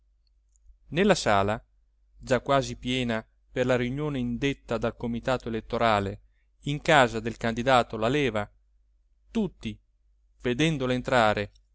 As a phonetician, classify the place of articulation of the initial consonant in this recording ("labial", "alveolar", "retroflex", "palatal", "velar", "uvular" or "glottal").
alveolar